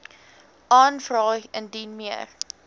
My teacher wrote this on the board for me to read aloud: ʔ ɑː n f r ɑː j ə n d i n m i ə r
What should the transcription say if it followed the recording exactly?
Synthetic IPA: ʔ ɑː n f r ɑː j ə n d i n m i ə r